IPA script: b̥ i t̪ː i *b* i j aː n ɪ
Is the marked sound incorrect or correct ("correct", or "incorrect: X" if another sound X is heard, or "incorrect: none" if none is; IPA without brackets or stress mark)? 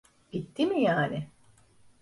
incorrect: m